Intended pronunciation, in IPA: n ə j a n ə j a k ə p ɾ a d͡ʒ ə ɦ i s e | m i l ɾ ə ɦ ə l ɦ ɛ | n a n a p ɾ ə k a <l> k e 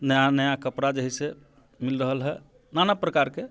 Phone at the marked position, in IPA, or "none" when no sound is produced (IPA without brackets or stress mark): ɾ